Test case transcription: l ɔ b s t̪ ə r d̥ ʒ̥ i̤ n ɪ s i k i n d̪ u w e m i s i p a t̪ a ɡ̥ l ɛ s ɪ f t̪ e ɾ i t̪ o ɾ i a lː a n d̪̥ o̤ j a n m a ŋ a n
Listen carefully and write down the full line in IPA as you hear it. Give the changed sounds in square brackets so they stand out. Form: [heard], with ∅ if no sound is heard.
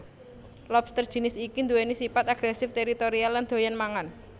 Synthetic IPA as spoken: l ɔ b s t̪ ə r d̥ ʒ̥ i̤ n ɪ s i k i n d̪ u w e [n] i s i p a t̪ a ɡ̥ [ɾ] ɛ s ɪ f t̪ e ɾ i t̪ o ɾ i a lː a n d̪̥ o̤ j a n m a ŋ a n